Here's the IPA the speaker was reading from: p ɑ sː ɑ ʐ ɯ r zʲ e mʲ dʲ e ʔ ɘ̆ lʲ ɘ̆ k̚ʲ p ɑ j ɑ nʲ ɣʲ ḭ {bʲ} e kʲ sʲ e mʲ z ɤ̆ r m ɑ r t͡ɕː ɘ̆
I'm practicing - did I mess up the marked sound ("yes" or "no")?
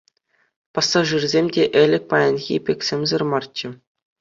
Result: yes